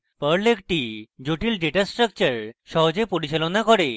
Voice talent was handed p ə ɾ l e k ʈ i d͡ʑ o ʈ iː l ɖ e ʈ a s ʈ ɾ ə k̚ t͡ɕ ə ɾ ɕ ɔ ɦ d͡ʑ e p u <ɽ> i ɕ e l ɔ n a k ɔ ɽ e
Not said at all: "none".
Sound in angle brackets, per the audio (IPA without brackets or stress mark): ɽ